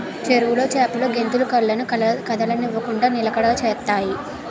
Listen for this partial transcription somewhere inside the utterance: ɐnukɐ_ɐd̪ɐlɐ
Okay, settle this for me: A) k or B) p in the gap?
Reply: A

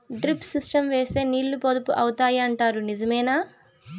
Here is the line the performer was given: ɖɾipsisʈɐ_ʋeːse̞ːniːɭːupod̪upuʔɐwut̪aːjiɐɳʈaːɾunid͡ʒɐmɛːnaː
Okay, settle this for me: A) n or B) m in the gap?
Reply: B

